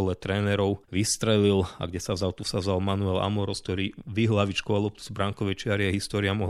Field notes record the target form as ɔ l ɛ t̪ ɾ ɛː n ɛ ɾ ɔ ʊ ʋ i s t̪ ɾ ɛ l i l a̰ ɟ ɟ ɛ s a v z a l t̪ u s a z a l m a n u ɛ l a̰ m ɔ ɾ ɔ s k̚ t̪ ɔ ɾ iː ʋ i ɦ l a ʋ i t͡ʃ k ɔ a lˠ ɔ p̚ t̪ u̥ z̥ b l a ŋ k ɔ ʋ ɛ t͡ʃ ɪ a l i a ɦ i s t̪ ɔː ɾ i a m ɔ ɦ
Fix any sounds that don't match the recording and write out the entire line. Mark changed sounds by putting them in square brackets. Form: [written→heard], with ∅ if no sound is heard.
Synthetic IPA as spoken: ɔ l ɛ t̪ ɾ ɛː n ɛ ɾ ɔ ʊ ʋ i s t̪ ɾ ɛ l i l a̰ [ɟ→ɡ] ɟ ɛ s a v z a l t̪ u s a z a l m a n u ɛ l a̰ m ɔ ɾ ɔ s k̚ t̪ ɔ ɾ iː ʋ i ɦ l a ʋ i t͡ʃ k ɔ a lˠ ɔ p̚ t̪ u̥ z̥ b [l→ɾ] a ŋ k ɔ ʋ ɛ t͡ʃ ɪ a [l→ɾ] i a ɦ i s t̪ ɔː ɾ i a m ɔ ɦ